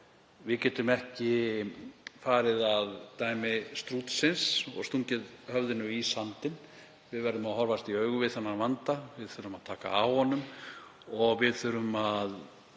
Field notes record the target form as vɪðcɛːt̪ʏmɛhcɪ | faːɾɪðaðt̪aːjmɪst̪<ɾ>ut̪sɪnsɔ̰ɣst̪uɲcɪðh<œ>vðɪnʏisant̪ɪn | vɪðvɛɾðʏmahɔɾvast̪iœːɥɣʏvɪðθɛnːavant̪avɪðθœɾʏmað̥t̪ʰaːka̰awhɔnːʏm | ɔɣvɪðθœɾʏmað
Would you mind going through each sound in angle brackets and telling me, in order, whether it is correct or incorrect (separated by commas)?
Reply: correct, correct